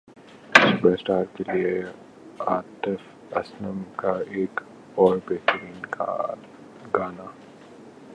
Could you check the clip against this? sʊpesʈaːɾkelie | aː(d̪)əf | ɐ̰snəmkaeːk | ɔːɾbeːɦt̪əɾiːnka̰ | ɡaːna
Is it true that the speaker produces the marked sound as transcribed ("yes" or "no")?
no